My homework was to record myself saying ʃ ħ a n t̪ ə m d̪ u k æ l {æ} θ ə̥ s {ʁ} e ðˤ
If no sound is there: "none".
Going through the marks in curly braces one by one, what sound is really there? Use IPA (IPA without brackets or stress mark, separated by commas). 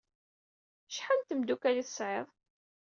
i, ʕ